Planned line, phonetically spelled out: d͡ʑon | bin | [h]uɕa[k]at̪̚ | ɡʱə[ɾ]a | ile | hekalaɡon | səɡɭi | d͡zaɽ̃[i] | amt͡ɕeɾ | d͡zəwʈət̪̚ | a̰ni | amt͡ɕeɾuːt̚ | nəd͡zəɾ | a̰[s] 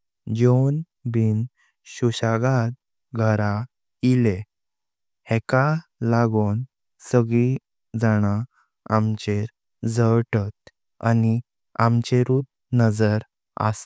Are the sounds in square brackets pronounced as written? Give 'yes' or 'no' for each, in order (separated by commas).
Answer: no, no, yes, no, yes